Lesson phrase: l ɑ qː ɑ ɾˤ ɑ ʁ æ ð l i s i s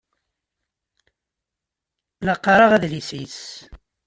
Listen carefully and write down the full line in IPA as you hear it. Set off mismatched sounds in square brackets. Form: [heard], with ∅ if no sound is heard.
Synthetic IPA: l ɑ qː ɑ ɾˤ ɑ ʁ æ ð l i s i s